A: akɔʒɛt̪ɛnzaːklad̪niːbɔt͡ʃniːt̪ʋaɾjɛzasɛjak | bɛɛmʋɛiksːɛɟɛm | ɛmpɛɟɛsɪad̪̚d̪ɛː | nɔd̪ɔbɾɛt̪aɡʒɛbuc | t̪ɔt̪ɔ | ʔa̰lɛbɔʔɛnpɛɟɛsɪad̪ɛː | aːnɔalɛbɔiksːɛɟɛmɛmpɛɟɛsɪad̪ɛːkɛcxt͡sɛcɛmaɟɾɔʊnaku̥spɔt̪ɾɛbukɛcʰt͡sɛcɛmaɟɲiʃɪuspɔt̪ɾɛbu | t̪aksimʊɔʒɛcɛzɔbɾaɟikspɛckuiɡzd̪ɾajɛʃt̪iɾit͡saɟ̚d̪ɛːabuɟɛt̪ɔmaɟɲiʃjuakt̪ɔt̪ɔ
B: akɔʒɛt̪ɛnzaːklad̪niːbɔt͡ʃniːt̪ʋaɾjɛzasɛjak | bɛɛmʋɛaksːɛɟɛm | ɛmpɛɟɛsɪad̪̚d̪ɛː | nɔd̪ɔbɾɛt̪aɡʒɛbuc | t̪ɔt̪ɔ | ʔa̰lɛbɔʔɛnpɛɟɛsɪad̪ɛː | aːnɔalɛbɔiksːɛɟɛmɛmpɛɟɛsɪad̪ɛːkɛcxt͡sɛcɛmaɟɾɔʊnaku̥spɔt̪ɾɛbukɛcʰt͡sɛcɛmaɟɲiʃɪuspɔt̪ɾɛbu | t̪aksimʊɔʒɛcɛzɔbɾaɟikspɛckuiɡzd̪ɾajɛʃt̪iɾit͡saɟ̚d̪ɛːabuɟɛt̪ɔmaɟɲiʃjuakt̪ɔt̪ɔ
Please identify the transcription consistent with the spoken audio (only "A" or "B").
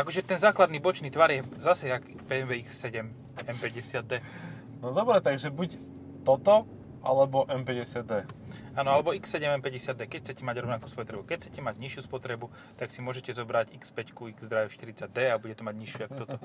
A